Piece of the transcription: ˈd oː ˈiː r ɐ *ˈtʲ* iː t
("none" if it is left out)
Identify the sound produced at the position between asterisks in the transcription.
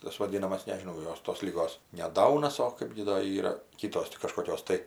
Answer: kʲ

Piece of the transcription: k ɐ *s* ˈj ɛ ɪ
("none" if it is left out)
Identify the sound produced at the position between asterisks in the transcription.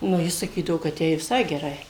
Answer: t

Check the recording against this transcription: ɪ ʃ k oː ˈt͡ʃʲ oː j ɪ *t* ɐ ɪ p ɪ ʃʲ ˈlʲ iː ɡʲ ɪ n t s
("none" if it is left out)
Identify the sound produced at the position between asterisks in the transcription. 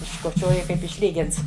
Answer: k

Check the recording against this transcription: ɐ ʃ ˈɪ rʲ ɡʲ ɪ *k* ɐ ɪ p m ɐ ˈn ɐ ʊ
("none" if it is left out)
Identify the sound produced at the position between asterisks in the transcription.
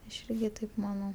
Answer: t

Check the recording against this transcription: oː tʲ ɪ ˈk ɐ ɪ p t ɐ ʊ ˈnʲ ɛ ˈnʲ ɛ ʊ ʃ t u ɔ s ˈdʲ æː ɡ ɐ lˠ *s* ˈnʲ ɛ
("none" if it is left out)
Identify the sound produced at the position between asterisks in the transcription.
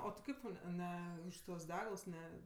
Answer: s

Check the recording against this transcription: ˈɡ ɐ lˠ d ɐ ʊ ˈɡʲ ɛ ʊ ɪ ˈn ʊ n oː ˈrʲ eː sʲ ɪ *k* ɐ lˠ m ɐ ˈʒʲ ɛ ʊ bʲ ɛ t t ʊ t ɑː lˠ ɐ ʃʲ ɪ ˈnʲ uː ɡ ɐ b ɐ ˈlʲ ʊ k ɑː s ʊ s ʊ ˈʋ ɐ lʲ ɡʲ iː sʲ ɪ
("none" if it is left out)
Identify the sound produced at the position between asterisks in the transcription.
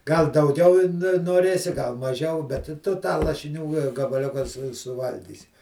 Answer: ɡ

